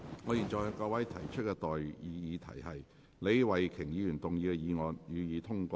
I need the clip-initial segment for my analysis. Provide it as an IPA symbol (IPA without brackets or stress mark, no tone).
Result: ŋ